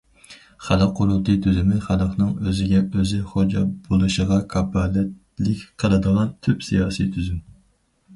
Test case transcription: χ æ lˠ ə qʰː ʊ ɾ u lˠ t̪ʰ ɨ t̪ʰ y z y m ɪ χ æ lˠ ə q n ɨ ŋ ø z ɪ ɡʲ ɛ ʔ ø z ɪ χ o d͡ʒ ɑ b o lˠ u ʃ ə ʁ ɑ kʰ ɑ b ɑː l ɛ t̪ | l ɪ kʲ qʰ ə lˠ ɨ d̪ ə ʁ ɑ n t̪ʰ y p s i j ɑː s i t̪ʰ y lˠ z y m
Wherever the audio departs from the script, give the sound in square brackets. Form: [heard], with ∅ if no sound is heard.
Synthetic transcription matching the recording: χ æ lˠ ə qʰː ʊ ɾ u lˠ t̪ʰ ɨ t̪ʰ y z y m ɪ χ æ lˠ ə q n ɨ ŋ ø z ɪ ɡʲ ɛ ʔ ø z ɪ χ o d͡ʒ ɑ b o lˠ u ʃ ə ʁ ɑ kʰ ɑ b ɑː l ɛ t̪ | l ɪ kʲ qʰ ə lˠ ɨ d̪ ə ʁ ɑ n t̪ʰ y p s i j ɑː s i t̪ʰ y [∅] z y m